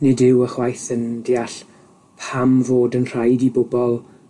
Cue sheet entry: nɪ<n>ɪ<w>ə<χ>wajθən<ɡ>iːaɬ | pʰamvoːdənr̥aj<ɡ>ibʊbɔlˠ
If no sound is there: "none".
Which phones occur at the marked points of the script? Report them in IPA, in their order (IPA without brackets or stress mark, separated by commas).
d, w, χ, d, d